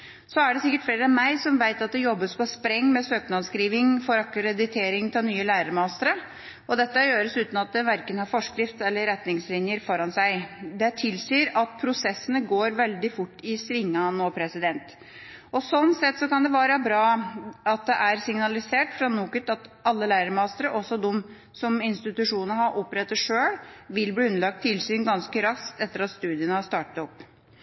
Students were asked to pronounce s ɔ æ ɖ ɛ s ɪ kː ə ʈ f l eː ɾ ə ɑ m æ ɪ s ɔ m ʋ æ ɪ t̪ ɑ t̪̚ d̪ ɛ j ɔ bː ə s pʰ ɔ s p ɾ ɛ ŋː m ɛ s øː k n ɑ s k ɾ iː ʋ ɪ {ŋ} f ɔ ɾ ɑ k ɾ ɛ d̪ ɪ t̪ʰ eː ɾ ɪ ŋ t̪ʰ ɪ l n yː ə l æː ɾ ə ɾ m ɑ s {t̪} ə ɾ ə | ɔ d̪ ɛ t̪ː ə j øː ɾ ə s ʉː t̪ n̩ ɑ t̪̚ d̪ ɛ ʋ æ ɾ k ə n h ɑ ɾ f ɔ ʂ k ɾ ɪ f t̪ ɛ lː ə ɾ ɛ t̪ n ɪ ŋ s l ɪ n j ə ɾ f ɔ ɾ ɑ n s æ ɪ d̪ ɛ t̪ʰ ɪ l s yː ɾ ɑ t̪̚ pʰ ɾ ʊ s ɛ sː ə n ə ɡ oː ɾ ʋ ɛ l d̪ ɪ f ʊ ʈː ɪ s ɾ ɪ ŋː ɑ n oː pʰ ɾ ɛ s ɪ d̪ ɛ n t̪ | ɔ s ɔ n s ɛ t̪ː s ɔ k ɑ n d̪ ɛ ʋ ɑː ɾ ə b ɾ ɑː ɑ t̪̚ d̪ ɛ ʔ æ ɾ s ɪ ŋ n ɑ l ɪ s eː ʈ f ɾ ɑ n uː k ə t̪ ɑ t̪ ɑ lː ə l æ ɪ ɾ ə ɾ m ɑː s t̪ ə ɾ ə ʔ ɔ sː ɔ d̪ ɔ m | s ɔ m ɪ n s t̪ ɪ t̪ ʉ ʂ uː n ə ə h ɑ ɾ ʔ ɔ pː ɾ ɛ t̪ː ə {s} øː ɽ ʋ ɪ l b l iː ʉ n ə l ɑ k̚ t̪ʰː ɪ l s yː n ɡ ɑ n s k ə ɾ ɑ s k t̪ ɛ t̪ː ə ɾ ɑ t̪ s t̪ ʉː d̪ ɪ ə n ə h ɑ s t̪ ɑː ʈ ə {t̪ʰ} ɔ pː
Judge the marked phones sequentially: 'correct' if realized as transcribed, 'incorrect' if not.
correct, correct, incorrect: ʂ, incorrect: t̪

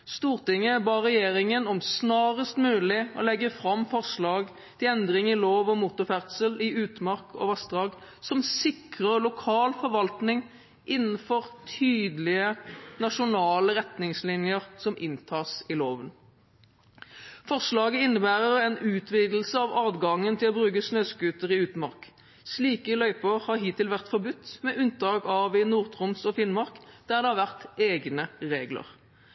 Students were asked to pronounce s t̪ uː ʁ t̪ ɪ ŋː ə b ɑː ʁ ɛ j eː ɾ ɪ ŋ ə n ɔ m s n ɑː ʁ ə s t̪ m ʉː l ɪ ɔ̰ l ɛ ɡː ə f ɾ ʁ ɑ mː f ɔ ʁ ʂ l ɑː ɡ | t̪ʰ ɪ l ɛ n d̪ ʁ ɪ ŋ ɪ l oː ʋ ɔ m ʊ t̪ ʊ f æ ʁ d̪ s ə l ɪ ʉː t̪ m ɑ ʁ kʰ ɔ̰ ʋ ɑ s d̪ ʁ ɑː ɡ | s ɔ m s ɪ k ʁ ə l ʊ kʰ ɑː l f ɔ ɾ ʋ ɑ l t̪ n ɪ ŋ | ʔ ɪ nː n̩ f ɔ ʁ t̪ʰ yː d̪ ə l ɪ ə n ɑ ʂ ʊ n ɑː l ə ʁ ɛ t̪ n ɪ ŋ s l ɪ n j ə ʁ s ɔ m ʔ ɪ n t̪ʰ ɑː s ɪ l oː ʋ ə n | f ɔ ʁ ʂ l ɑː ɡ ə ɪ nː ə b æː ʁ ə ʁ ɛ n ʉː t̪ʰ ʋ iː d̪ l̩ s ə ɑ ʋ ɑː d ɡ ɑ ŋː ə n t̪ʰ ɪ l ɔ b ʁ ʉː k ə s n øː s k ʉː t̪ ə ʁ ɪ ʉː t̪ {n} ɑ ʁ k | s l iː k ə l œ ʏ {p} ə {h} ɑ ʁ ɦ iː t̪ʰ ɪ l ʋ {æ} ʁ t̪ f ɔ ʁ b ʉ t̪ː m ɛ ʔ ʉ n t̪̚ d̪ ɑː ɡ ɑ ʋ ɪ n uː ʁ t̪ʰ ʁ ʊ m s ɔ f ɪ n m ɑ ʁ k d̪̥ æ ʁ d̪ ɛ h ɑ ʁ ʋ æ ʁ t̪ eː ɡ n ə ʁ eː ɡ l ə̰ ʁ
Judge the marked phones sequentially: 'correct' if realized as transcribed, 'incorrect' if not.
incorrect: m, correct, correct, correct

